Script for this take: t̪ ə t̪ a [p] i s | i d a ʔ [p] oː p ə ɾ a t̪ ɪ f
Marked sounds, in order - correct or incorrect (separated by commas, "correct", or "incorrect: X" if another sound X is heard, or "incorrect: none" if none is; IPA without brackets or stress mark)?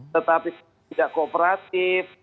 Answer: correct, incorrect: k